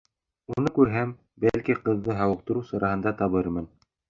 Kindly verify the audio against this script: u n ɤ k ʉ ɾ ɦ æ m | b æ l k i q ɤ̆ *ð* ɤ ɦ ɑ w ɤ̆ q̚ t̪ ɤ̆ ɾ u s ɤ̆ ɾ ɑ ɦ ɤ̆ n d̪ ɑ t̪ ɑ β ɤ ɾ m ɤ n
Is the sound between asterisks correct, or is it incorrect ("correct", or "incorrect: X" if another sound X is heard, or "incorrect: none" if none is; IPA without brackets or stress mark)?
incorrect: ðː